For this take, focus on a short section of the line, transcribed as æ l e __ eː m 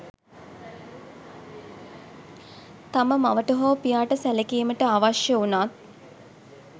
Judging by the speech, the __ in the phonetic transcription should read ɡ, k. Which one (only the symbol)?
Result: k